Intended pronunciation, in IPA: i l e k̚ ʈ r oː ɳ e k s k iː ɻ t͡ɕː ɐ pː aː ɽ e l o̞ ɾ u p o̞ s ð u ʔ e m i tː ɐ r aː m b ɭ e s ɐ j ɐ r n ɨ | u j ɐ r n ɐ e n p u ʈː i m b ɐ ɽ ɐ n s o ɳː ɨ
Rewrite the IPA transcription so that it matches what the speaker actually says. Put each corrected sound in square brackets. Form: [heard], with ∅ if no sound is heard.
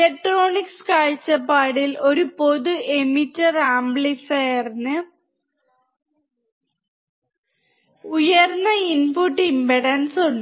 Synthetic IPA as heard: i l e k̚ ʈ r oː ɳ [i] k s k [aː] ɻ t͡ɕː ɐ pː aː ɽ [i] l o̞ ɾ u p o̞ [∅] ð u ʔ e m i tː ɐ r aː m b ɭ [i] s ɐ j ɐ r n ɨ | u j ɐ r n ɐ [i] n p u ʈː i m b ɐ ɽ ɐ n s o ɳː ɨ